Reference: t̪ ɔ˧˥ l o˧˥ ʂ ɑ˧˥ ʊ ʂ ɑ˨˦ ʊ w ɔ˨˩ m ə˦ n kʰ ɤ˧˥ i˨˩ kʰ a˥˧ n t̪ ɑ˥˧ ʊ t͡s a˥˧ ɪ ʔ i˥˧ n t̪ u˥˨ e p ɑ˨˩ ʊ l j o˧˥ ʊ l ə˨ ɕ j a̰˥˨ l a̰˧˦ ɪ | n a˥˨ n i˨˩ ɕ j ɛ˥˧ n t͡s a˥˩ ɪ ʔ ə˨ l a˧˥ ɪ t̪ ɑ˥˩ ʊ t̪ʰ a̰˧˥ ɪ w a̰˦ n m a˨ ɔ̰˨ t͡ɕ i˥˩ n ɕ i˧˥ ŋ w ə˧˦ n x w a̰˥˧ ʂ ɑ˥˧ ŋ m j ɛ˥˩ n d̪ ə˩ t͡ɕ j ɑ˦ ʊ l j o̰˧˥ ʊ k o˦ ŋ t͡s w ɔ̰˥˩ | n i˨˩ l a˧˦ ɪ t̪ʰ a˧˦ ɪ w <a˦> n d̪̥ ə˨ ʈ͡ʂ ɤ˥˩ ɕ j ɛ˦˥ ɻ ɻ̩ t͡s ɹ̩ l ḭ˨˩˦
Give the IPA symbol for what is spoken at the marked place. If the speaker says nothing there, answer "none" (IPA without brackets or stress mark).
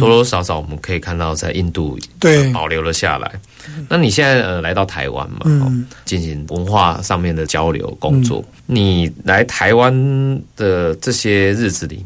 a˦